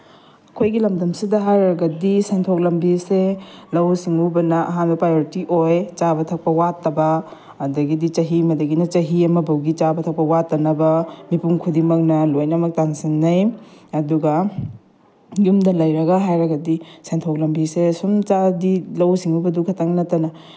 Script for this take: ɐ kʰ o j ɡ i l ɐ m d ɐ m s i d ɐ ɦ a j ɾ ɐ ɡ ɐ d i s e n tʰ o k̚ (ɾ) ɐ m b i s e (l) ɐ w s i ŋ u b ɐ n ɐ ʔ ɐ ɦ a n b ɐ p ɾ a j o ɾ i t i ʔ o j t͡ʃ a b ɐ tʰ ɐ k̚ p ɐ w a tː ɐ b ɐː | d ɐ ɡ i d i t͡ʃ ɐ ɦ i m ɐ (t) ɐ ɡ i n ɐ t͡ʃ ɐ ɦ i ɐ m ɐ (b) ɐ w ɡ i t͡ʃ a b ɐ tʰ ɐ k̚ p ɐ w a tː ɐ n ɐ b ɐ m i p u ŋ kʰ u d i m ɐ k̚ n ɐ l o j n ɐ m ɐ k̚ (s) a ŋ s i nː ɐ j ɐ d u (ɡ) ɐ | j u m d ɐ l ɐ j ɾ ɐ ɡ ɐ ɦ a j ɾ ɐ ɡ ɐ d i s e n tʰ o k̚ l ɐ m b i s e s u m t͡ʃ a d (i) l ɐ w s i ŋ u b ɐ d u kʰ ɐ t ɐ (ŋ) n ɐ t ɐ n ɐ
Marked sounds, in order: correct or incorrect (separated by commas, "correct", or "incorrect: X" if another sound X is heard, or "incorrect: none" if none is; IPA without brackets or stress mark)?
incorrect: l, correct, incorrect: d, correct, incorrect: t, correct, correct, correct